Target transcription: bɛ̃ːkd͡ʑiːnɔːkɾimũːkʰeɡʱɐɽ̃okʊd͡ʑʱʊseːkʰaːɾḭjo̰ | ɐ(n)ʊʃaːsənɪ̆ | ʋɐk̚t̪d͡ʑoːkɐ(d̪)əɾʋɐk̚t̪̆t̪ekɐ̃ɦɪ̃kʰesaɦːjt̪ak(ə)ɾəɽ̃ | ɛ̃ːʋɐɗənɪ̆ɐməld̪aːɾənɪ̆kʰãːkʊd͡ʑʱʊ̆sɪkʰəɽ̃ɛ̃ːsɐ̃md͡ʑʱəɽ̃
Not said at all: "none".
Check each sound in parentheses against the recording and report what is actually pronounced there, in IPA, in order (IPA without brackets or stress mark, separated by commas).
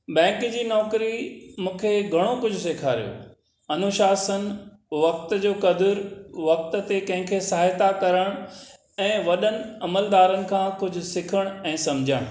n, d̪, ɐ